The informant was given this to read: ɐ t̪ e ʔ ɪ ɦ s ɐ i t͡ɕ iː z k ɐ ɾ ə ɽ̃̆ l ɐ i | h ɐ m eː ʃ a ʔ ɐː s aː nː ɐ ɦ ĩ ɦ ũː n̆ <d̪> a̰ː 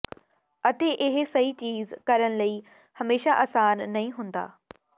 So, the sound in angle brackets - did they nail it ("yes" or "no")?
yes